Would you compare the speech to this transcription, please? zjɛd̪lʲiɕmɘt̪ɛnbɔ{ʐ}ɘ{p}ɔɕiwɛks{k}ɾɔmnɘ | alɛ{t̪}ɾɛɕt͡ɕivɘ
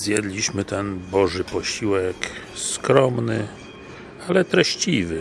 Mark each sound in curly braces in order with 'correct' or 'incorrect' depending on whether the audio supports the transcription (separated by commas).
correct, correct, correct, correct